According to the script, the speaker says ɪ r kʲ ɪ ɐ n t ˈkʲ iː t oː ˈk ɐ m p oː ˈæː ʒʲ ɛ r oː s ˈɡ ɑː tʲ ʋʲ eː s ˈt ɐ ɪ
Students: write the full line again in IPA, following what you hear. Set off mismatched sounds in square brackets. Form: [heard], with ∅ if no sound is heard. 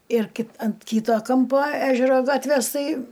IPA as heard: ɪ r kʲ ɪ ɐ n t ˈkʲ iː t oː ˈk ɐ m p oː ˈæː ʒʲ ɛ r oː [∅] ˈɡ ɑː tʲ ʋʲ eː s ˈt ɐ ɪ